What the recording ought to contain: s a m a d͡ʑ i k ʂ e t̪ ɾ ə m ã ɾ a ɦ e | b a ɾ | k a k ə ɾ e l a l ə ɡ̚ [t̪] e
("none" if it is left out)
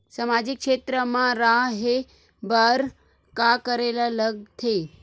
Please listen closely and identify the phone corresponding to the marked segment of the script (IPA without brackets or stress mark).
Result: t̪ʰ